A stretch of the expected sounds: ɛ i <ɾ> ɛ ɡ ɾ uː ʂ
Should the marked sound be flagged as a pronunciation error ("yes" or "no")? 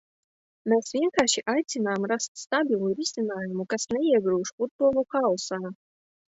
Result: yes